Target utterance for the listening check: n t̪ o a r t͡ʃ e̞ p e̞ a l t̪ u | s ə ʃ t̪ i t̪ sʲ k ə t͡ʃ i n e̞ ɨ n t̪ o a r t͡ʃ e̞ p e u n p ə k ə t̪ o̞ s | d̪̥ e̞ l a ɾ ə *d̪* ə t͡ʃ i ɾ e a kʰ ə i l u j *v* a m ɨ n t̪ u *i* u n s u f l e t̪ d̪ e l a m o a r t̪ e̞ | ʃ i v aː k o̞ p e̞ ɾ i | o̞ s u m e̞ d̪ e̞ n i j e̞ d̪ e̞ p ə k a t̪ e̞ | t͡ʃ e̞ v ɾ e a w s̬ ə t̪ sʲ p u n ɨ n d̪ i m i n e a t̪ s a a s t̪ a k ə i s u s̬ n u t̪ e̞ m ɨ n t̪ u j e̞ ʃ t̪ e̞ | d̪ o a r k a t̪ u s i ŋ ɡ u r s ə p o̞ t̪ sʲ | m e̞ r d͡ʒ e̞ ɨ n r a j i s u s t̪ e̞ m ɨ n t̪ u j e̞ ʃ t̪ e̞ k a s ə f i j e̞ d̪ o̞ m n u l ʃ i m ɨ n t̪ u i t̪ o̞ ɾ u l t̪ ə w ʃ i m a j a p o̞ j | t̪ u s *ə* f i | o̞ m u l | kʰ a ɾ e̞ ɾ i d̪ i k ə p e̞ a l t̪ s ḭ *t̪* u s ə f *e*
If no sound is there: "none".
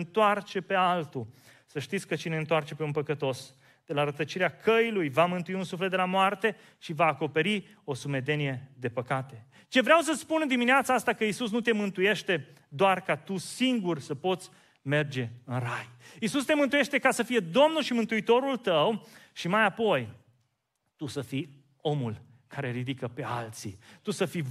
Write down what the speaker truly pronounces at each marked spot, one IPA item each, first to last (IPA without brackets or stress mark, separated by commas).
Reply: t̪, v, i, ə, t̪, i